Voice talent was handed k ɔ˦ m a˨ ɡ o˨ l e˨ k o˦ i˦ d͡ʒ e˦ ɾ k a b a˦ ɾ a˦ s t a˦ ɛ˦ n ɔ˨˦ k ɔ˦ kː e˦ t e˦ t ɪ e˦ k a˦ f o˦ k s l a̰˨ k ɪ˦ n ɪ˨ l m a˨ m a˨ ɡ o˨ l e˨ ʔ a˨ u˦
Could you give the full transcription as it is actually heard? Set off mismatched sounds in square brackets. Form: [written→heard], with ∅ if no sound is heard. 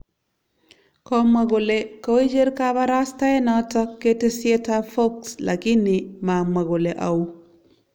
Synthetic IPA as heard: k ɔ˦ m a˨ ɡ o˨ l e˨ k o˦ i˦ d͡ʒ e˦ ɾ k a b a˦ ɾ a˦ s t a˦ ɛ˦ n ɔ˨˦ [k→t] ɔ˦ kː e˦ t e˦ [t→s] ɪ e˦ [k→t] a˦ f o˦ k s l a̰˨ k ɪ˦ n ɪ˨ [l→∅] m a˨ m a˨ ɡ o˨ l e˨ ʔ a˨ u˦